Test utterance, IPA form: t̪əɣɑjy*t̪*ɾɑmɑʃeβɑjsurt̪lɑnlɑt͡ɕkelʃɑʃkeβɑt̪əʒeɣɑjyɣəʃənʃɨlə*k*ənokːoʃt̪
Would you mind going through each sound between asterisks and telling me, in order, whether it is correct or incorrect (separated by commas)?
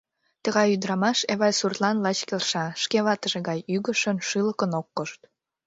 incorrect, correct